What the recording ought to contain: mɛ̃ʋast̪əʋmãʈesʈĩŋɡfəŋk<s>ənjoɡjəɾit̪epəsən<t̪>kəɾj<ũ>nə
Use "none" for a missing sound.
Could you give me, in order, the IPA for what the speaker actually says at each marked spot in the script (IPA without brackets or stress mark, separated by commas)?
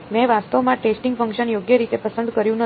ʃ, d̪, ũ